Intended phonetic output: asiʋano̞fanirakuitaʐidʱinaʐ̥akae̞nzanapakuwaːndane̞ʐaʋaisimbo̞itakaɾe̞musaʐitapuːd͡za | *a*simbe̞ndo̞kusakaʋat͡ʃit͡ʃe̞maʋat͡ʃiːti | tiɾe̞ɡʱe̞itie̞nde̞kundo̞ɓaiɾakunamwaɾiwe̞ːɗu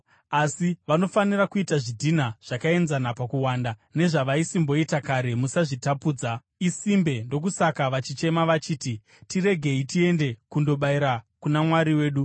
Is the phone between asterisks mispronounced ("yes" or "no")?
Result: yes